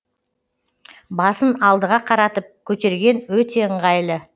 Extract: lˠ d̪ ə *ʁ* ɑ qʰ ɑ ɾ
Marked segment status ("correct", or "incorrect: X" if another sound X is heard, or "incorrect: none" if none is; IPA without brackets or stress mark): correct